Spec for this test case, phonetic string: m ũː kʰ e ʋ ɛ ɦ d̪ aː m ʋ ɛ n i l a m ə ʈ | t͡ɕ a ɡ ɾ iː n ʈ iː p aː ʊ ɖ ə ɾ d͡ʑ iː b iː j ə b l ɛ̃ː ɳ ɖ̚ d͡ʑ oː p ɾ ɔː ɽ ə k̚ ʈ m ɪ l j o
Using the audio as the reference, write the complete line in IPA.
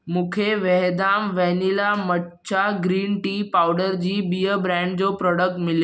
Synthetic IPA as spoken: m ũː kʰ e ʋ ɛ ɦ d̪ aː m ʋ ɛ n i l a m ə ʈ | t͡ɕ a ɡ ɾ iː n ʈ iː p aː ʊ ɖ ə ɾ d͡ʑ iː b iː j ə b ɾ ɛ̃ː ɳ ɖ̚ d͡ʑ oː p ɾ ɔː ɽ ə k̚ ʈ m ɪ l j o